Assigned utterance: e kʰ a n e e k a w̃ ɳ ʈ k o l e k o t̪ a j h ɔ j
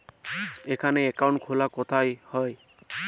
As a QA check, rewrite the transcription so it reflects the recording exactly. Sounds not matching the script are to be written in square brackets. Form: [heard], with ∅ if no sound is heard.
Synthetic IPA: e kʰ a n e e k a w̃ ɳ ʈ [kʰ] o l [a] k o [t̪ʰ] a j h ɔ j